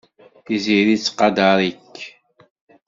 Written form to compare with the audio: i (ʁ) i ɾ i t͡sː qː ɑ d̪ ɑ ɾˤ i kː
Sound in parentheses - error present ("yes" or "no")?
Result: yes